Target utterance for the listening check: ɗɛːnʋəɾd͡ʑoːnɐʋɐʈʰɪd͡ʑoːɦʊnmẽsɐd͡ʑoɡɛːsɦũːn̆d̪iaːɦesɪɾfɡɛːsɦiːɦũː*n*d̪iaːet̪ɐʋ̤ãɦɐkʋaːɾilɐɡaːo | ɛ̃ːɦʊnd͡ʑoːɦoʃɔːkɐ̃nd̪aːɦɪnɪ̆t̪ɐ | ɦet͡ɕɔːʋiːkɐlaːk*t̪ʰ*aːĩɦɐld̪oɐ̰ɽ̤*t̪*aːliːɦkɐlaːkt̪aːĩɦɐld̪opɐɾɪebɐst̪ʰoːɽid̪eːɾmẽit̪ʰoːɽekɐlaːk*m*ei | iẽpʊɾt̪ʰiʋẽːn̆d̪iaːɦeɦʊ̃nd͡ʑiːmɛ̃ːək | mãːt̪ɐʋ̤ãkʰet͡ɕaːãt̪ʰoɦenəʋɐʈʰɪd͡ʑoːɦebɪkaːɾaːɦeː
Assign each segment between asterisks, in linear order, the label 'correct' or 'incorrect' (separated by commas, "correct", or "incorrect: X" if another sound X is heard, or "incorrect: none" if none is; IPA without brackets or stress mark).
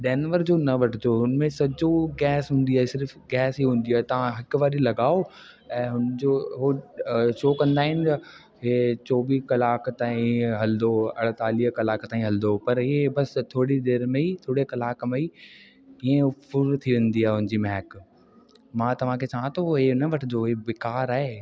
correct, incorrect: t̪, correct, correct